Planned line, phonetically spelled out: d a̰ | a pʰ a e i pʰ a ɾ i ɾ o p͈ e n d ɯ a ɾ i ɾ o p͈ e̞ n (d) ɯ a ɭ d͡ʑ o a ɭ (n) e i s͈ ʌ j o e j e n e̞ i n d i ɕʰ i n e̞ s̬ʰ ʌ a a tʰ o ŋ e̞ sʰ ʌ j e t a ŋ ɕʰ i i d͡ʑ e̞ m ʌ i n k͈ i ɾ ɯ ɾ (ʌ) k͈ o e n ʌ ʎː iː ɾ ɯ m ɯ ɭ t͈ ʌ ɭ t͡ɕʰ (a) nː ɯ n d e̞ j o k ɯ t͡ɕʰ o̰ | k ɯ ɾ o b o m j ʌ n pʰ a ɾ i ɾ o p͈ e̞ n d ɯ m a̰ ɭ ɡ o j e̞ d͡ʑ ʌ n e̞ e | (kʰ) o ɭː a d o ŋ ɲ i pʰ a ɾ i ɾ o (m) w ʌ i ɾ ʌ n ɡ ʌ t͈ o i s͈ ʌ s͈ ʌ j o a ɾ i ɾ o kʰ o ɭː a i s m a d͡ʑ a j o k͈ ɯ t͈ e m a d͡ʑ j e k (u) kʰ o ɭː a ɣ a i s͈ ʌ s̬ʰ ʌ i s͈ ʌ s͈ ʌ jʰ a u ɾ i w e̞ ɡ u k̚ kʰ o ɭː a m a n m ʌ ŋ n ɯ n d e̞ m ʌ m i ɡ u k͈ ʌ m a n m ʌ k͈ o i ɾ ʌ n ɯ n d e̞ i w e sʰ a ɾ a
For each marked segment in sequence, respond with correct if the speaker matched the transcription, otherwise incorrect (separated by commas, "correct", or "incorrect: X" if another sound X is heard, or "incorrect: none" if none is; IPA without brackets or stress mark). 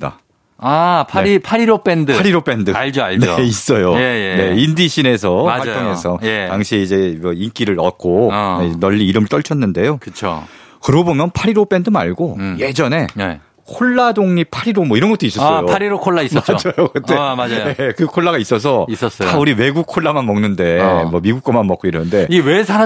correct, correct, correct, incorrect: ʌ, correct, correct, incorrect: ɯ